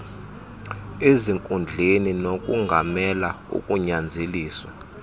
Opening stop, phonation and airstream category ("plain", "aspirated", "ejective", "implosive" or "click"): ejective